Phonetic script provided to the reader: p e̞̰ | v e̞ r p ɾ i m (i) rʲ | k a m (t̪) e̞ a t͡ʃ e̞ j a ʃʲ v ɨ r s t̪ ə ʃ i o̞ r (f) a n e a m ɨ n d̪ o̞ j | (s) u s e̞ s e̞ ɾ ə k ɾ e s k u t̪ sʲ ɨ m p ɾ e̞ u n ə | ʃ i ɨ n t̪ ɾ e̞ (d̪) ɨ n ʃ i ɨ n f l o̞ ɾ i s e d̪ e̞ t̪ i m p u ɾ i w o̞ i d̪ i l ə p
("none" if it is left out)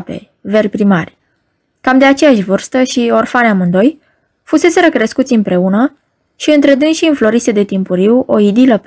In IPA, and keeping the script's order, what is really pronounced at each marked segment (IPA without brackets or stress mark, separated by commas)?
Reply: a, d̪, f, f, d̪